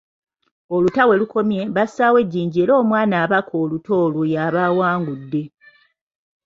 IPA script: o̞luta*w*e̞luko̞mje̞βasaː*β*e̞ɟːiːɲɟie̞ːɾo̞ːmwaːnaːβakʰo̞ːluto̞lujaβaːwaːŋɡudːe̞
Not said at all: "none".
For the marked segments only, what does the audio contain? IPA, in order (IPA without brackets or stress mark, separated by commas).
w, w